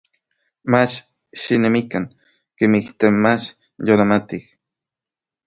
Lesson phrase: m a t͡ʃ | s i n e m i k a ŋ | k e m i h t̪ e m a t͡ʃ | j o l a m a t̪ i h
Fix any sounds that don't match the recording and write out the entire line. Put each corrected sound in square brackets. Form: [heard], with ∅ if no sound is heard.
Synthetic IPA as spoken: m a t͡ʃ | [ʃ] i n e m i k a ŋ | k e m i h t̪ e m a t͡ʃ | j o l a m a t̪ i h